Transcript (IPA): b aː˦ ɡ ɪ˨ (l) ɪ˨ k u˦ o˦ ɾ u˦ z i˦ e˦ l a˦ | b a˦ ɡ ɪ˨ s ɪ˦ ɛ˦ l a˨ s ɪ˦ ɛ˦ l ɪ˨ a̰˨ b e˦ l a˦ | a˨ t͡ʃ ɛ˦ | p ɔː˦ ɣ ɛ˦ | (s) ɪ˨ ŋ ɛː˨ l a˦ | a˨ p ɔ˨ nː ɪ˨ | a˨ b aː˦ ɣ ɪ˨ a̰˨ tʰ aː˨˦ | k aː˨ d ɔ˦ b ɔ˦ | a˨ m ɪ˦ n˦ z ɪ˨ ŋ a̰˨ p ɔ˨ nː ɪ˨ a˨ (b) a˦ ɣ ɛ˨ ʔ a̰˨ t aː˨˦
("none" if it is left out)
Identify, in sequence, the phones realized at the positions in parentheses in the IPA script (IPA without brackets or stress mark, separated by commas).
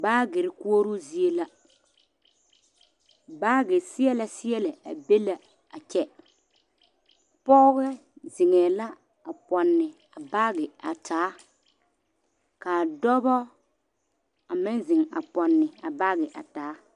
ɾ, z, b